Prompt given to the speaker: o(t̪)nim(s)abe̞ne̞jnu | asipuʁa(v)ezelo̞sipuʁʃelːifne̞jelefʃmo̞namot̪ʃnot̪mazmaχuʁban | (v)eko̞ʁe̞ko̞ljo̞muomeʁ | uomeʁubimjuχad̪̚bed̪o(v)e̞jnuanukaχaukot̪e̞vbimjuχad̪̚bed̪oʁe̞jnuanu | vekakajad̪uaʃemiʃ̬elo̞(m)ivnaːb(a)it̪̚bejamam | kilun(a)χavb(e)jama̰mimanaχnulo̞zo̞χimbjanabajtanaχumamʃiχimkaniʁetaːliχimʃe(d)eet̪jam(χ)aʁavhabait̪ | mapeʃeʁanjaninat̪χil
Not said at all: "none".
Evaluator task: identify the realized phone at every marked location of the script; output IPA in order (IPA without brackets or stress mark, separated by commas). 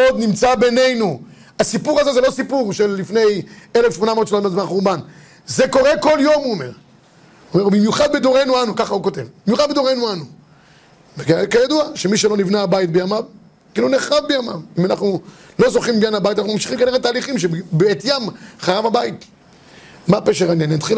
d̪, t͡s, z, z, ʁ, n, a, e, e, b, χ